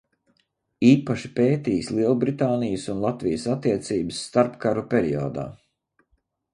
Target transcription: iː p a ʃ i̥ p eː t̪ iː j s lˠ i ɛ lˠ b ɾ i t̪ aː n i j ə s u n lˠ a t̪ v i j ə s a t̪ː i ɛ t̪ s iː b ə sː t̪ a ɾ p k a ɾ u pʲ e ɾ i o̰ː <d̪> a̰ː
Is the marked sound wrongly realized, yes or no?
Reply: no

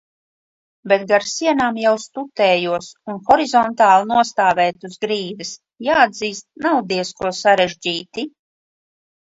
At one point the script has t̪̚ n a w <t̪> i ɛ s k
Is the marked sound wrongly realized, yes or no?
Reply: yes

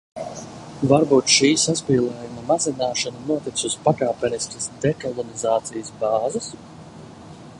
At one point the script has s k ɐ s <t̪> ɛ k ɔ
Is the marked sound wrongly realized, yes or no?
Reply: yes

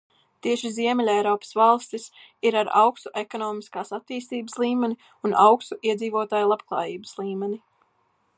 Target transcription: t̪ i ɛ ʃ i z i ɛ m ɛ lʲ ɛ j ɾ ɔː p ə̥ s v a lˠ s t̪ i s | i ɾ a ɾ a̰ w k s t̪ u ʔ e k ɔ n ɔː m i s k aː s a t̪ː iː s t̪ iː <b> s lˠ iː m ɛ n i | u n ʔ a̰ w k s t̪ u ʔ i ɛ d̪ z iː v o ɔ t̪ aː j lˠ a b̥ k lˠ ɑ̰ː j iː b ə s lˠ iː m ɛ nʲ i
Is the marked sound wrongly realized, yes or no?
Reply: no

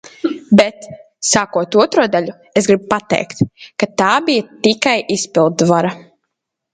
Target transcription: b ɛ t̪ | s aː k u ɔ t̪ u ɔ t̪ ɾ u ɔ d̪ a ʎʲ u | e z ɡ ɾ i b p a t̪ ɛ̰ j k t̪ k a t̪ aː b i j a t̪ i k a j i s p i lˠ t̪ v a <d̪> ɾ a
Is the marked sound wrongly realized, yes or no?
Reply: yes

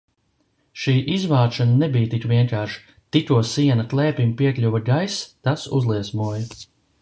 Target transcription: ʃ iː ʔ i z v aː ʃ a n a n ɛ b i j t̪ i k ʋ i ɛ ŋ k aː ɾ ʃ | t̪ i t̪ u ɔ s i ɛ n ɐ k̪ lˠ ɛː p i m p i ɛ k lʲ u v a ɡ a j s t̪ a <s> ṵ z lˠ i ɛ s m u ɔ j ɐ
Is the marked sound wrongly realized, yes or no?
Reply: no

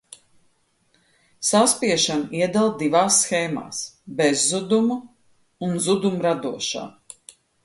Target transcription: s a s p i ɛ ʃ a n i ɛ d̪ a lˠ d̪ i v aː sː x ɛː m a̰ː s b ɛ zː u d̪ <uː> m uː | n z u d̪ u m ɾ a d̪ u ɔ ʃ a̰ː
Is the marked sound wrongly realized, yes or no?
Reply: yes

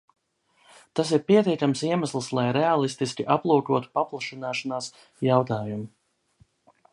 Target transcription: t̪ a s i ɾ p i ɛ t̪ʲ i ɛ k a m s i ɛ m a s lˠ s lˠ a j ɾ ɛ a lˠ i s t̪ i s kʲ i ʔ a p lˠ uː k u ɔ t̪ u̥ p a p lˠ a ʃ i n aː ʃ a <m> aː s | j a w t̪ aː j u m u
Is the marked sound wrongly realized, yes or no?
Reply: yes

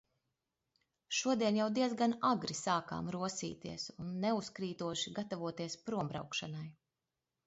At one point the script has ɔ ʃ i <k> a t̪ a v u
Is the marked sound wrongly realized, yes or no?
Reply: yes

